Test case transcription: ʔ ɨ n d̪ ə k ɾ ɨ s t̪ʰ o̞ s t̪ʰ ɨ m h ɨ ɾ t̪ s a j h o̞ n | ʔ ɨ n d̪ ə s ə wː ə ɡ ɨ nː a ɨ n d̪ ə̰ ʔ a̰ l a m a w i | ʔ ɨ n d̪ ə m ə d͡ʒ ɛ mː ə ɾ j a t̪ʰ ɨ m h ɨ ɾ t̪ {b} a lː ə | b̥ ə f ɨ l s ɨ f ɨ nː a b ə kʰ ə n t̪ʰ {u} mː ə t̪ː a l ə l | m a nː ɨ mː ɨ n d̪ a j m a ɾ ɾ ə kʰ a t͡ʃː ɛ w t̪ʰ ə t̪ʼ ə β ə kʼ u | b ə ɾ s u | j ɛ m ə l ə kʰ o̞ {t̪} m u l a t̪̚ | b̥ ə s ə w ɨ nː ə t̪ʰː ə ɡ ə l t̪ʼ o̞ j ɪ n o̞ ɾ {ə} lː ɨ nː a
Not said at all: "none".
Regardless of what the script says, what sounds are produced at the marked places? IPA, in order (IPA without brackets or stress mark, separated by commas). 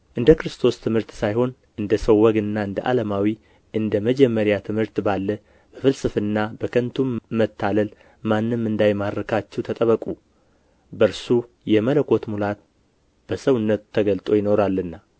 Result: b, u, t̪, a